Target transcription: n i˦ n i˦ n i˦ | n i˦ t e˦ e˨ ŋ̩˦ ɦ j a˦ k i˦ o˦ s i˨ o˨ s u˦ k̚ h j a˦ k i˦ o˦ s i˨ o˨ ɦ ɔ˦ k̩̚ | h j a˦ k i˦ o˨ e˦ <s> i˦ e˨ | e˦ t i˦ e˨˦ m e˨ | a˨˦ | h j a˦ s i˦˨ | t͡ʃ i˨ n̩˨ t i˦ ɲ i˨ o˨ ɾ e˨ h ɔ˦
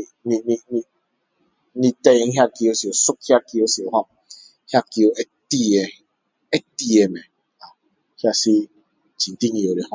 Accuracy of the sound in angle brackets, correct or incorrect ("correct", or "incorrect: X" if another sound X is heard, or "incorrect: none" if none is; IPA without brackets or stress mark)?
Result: incorrect: t